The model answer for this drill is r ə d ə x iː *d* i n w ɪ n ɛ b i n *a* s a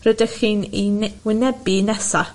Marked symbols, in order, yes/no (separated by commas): no, no